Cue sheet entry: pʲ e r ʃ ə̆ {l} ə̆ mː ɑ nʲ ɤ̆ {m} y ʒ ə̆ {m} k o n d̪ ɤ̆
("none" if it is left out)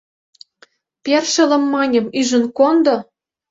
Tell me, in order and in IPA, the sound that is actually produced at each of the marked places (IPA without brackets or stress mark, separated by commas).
l, m, n